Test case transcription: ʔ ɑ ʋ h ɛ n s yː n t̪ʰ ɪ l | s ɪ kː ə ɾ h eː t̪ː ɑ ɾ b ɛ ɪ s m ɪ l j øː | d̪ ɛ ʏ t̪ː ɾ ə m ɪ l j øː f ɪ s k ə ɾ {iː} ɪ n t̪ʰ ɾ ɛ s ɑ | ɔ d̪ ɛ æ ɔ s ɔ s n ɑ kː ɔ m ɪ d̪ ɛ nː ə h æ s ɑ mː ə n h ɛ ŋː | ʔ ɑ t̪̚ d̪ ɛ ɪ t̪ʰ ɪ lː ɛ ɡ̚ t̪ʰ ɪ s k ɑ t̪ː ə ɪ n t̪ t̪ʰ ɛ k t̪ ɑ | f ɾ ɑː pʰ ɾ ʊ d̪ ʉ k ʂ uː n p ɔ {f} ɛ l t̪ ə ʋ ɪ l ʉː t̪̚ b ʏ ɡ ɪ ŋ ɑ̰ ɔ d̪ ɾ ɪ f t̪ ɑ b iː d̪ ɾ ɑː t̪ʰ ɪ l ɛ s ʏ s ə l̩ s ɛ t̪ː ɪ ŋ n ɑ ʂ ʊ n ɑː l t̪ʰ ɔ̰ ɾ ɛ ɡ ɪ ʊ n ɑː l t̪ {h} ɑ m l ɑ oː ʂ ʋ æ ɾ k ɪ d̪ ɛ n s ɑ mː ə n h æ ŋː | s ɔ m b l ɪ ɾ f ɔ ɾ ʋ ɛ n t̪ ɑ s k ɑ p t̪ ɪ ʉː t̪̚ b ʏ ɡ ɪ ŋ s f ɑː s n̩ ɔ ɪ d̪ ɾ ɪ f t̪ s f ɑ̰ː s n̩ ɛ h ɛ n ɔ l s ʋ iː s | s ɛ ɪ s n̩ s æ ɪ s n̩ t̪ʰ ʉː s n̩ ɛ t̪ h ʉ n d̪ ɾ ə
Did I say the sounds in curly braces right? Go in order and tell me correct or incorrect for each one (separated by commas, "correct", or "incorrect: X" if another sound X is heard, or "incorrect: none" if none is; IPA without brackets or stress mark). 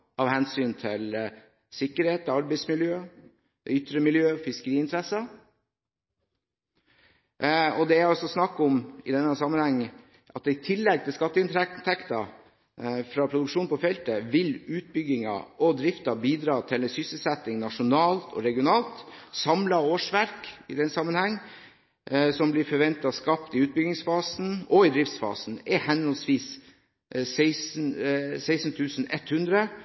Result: correct, correct, incorrect: s